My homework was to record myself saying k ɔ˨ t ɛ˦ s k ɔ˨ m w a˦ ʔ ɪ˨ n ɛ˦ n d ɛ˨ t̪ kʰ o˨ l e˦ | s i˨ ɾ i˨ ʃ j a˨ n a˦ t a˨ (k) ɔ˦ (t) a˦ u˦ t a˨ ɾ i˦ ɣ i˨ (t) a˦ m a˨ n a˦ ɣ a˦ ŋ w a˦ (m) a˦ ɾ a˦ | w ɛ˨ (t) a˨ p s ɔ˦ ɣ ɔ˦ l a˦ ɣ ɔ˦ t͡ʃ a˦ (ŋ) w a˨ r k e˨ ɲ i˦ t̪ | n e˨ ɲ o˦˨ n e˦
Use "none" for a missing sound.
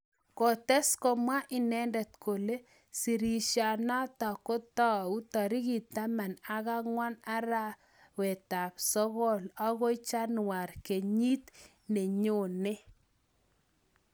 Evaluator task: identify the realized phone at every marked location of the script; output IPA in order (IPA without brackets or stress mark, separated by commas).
k, t, t, n, t, n